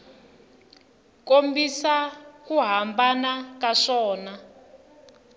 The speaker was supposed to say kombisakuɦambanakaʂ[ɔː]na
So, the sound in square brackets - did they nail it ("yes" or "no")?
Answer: yes